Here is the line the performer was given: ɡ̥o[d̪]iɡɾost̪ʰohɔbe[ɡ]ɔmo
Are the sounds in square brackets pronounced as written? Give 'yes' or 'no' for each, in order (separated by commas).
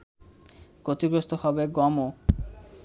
no, yes